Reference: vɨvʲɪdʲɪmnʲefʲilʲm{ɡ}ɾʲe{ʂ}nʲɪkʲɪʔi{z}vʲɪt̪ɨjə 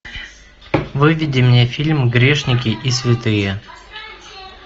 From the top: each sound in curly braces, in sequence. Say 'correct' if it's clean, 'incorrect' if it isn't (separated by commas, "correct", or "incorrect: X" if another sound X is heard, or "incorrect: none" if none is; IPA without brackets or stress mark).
correct, correct, incorrect: s